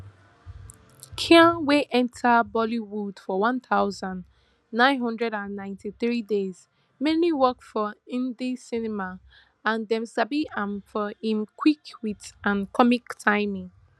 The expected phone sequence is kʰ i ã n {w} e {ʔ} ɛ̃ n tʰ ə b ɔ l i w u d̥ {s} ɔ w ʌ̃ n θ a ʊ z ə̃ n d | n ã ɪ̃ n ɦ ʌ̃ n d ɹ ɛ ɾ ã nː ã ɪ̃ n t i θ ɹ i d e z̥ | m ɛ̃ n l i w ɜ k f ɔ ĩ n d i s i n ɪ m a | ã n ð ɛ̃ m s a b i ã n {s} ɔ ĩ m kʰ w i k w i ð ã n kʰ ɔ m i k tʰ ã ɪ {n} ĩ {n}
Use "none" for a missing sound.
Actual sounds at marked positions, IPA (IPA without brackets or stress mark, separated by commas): w, ʔ, f, f, m, ŋ